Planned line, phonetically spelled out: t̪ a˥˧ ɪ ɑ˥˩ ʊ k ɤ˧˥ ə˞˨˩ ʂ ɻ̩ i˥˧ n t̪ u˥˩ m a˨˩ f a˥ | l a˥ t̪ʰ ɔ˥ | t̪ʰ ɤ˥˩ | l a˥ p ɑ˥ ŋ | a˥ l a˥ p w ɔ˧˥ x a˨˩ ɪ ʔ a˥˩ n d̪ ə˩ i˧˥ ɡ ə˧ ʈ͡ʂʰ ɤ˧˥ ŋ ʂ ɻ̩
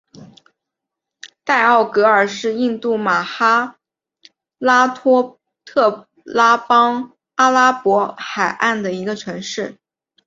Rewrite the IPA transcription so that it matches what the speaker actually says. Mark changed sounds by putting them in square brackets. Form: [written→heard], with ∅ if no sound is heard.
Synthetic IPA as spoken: t̪ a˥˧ ɪ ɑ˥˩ ʊ k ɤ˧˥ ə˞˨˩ ʂ ɻ̩ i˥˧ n t̪ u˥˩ m a˨˩ [f→x] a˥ | l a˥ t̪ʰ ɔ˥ | t̪ʰ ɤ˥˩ | l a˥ p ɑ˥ ŋ | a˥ l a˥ p w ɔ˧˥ x a˨˩ ɪ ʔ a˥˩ n d̪ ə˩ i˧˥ ɡ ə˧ ʈ͡ʂʰ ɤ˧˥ ŋ ʂ ɻ̩